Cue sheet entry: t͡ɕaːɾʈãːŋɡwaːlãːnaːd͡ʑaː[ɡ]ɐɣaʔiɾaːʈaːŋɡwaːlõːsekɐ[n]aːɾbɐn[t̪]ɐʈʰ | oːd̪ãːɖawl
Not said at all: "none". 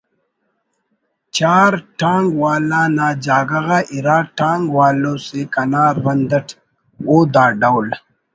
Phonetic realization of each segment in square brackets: ɡ, n, d̪

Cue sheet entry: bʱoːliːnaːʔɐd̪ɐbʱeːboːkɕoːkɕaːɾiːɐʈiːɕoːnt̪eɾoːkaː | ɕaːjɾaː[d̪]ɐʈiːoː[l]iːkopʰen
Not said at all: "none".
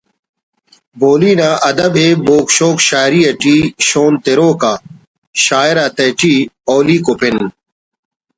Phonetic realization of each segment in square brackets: t̪, l

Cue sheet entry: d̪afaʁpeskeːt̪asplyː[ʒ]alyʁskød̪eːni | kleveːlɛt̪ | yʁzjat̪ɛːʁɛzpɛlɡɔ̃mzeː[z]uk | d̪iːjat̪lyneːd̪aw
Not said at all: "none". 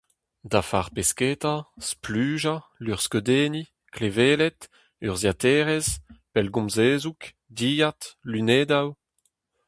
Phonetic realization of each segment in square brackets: ʒ, z

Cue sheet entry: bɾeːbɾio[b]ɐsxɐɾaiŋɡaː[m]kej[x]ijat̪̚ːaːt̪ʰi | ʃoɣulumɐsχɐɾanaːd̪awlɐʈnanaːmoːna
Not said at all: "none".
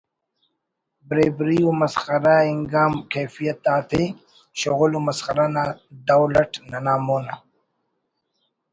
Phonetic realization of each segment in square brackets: m, m, f

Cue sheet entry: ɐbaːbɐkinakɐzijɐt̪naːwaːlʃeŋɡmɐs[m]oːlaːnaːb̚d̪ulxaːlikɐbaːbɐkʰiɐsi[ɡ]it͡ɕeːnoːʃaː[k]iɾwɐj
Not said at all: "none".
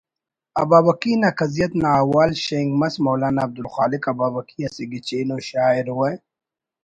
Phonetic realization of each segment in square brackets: m, ɡ, none

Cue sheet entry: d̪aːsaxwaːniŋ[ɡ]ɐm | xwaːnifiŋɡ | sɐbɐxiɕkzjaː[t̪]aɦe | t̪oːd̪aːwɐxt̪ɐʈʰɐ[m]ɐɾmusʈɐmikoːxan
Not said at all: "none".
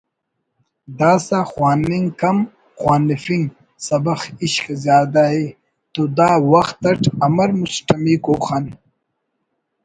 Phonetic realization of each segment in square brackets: k, d̪, m

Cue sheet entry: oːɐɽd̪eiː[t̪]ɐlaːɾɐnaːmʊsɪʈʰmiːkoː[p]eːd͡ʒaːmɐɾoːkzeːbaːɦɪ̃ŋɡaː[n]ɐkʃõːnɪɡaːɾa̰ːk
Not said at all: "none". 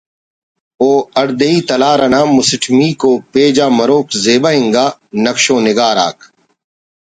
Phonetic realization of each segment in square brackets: t̪, p, n

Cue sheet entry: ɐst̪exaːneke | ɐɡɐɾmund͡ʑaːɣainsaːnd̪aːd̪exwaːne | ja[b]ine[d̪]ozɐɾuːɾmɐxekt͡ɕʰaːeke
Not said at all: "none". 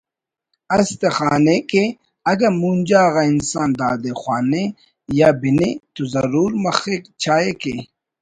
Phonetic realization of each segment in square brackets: b, t̪

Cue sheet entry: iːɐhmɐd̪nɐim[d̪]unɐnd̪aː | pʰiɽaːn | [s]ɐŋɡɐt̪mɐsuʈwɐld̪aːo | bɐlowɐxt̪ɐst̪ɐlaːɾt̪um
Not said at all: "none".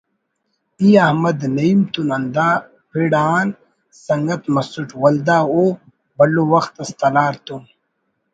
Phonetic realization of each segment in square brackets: t̪, s

